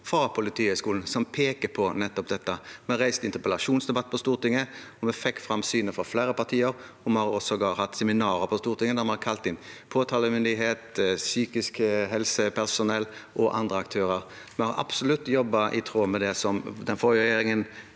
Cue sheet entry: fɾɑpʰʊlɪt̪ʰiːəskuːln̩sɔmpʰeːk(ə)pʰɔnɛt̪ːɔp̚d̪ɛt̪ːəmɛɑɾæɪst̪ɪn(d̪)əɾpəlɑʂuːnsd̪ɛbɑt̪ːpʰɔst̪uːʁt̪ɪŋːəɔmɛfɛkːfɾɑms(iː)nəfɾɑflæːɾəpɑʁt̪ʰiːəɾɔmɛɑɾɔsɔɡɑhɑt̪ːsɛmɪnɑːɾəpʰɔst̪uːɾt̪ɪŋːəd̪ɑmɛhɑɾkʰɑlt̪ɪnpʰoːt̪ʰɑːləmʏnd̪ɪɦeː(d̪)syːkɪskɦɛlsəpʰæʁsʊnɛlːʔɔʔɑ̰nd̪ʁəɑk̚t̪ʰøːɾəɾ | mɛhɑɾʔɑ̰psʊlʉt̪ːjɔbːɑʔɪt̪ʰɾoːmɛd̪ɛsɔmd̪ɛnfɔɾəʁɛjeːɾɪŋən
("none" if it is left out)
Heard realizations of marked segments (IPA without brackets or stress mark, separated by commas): ə, t̪, yː, t̪